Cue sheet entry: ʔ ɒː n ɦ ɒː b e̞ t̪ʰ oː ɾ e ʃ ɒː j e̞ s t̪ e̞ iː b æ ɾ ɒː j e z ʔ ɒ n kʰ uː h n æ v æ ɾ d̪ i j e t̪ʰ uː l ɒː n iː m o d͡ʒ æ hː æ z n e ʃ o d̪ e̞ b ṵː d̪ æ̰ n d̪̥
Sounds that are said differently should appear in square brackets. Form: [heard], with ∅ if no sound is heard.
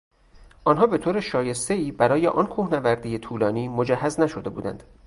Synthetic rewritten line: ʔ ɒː n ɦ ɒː b e̞ t̪ʰ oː ɾ e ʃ ɒː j e̞ s t̪ e̞ iː b æ ɾ ɒː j e [∅] ʔ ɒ n kʰ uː h n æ v æ ɾ d̪ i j e t̪ʰ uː l ɒː n iː m o d͡ʒ æ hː æ z n [æ] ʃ o d̪ e̞ b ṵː d̪ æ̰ n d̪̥

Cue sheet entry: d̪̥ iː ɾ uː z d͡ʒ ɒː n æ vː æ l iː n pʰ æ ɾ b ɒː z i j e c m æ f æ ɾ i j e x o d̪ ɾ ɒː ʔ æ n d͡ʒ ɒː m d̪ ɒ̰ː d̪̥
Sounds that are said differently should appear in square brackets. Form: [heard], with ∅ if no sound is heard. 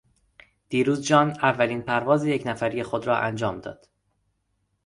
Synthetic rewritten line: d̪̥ iː ɾ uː z d͡ʒ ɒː n æ vː æ l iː n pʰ æ ɾ [v] ɒː z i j e c [n] æ f æ ɾ i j e x o d̪ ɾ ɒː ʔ æ n d͡ʒ ɒː m d̪ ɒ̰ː d̪̥

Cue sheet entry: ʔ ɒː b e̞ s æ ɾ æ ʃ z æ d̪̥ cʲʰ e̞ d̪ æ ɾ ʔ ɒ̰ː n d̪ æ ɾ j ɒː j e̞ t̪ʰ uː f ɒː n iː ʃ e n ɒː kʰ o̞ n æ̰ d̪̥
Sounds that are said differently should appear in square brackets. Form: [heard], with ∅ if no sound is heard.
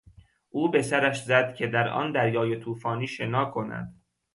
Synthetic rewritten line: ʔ [uː] b e̞ s æ ɾ æ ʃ z æ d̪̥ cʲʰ e̞ d̪ æ ɾ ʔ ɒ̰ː n d̪ æ ɾ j ɒː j e̞ t̪ʰ uː f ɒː n iː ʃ e n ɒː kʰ o̞ n æ̰ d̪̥

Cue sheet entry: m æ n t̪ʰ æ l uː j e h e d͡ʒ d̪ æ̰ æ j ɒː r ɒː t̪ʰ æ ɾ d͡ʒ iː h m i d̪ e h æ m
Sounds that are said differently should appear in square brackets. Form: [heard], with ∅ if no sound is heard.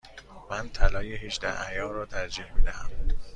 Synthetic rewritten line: m æ n t̪ʰ æ l [ɒː] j e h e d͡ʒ d̪ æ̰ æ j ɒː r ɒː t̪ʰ æ ɾ d͡ʒ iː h m i d̪ [æ] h æ m

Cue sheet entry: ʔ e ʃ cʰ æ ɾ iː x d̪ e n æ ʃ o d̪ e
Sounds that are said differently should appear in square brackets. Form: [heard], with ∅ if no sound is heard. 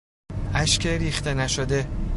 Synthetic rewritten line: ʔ [æ] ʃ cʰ [e] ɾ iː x [t̪] e n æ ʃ o d̪ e

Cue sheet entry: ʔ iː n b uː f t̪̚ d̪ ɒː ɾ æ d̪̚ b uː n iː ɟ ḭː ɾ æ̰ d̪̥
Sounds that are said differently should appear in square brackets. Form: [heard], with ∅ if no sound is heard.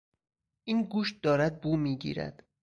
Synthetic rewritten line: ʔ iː n [ɡ] uː [ʃ] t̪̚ d̪ ɒː ɾ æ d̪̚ b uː [m] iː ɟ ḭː ɾ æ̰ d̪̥

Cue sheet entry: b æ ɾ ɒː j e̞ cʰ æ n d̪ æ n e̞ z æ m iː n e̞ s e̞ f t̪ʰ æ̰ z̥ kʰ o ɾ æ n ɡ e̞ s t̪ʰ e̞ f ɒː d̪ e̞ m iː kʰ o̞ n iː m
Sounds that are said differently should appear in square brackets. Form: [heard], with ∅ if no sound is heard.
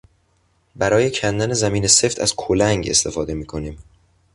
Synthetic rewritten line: b æ ɾ ɒː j e̞ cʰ æ n d̪ æ n e̞ z æ m iː n e̞ s e̞ f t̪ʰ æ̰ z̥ kʰ o [l] æ [ŋ] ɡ e̞ s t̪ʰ e̞ f ɒː d̪ e̞ m iː kʰ o̞ n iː m

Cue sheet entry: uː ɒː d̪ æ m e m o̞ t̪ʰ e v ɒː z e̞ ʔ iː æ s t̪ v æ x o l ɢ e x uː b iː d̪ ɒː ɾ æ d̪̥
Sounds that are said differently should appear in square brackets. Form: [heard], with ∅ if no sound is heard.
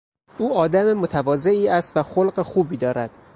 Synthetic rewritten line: uː ɒː d̪ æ m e m o̞ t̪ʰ [æ] v ɒː z e̞ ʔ iː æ s t̪ v æ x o l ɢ e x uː b iː d̪ ɒː ɾ æ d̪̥

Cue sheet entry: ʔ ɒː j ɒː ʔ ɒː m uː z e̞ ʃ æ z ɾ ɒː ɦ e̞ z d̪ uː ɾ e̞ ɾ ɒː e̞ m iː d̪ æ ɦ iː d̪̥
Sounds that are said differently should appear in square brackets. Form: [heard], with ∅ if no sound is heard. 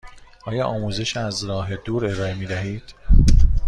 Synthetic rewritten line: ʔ ɒː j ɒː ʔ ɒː m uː z e̞ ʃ æ z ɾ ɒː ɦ e̞ [∅] d̪ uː ɾ e̞ ɾ ɒː e̞ m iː d̪ æ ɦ iː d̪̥

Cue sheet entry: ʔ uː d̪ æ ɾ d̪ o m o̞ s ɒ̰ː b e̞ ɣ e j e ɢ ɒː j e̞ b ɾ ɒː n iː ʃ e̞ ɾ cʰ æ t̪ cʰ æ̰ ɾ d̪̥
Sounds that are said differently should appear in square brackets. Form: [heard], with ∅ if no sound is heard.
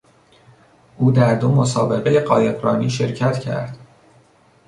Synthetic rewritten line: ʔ uː d̪ æ ɾ d̪ o m o̞ s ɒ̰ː b e̞ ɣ e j e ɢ ɒː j e̞ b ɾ ɒː n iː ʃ e̞ ɾ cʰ æ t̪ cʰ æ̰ ɾ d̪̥

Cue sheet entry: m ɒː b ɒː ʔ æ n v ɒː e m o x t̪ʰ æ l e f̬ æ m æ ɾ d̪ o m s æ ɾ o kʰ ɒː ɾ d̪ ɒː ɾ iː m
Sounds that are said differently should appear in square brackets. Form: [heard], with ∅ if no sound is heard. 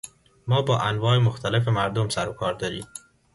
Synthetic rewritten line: m ɒː b ɒː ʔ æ n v ɒː e m o x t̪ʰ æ l e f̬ [e] m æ ɾ d̪ o m s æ ɾ o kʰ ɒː ɾ d̪ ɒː ɾ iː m

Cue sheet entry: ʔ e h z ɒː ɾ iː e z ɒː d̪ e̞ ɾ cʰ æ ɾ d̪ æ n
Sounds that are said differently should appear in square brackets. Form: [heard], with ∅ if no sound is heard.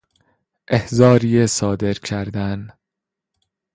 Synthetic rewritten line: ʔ e h z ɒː ɾ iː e [s] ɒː d̪ e̞ ɾ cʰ æ ɾ d̪ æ n

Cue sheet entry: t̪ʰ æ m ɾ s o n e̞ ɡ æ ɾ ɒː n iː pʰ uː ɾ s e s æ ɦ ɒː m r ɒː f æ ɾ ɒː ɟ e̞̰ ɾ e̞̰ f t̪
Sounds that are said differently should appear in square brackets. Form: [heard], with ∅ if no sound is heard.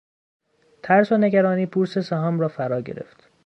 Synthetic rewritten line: t̪ʰ æ [∅] ɾ s o n e̞ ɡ æ ɾ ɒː n iː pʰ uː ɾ s e s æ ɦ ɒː m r ɒː f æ ɾ ɒː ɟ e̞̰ ɾ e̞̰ f t̪

